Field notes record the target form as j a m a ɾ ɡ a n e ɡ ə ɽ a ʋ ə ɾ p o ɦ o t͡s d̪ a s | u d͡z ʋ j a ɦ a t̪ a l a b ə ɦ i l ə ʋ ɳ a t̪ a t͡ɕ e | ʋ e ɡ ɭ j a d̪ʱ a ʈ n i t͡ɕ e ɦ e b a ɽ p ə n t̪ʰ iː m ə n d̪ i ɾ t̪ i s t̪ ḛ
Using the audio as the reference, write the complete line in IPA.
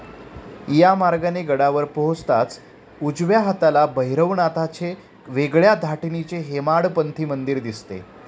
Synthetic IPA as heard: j a m a ɾ ɡ a n e ɡ ə ɽ a ʋ ə ɾ p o ɦ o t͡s t̪ a t͡s | u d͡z ʋ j a ɦ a t̪ a l a b ə ɦ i ɾ ə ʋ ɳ a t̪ a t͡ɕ e | ʋ e ɡ ɭ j a d̪ʱ a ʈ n i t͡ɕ e ɦ e m a ɽ p ə n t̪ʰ iː m ə n d̪ i ɾ d̪ i s t̪ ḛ